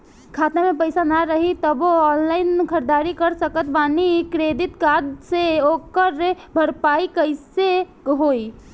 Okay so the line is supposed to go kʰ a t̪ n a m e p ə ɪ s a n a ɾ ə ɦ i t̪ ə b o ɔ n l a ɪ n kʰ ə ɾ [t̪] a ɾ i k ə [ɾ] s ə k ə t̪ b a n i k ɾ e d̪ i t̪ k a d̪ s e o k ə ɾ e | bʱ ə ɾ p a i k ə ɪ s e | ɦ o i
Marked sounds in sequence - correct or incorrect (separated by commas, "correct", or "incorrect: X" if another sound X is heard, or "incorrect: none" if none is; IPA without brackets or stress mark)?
incorrect: d̪, correct